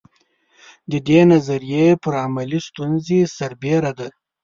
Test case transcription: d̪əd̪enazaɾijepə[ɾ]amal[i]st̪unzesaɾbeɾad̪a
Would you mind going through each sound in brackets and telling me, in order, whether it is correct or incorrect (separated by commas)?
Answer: correct, correct